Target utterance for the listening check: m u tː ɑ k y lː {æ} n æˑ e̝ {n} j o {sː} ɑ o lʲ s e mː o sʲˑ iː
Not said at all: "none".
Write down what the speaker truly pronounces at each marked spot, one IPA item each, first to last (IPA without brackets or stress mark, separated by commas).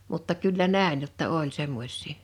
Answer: æ, n, tː